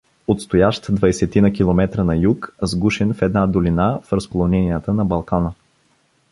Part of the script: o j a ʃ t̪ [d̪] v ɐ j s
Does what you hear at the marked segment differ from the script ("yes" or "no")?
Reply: no